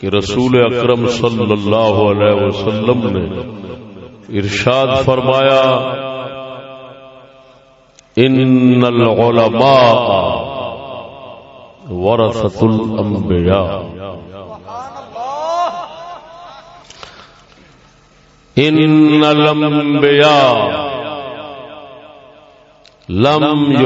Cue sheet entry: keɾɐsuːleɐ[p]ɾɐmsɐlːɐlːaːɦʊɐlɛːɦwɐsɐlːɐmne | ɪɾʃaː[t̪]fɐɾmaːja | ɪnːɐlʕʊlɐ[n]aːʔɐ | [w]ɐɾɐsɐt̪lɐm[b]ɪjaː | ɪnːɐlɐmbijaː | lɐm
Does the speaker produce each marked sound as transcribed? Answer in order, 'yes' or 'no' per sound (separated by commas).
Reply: no, no, no, yes, yes